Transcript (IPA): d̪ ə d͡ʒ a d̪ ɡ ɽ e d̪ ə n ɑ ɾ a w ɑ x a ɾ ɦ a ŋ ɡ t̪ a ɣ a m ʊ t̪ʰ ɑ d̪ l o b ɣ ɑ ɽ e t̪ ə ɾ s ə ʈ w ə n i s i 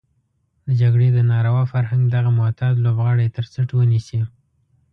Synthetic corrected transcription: d̪ ə d͡ʒ a ɡ ɽ e d̪ ə n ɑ ɾ a w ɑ f a ɾ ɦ a ŋ ɡ d̪ a ɣ a m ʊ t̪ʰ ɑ d̪ l o b ɣ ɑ ɽ e t̪ ə ɾ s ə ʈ w ə n i s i